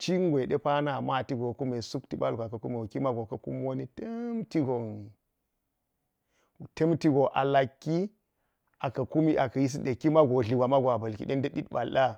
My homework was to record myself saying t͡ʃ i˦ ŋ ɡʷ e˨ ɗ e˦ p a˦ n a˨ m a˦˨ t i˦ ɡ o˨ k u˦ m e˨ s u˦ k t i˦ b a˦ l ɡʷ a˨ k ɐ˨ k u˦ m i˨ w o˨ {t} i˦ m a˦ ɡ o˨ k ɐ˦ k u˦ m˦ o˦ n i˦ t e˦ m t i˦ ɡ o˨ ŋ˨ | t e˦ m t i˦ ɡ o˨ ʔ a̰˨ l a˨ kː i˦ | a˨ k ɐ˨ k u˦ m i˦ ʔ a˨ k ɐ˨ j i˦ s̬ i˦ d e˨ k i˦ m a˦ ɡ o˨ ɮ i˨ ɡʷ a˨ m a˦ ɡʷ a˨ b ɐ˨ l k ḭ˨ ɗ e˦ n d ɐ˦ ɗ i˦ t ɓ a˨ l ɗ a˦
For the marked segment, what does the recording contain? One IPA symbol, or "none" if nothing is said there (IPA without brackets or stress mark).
k